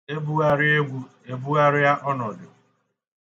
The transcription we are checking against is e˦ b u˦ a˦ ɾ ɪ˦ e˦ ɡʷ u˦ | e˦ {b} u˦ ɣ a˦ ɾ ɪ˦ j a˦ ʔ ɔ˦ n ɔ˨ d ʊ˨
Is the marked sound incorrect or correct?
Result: correct